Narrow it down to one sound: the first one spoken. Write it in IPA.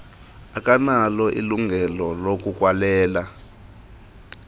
a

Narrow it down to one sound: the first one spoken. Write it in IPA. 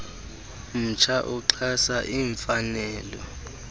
m̩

